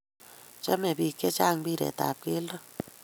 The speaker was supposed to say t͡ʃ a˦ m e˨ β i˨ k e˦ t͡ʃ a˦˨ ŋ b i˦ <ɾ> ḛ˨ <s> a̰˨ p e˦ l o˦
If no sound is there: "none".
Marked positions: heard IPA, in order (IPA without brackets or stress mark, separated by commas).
ɾ, t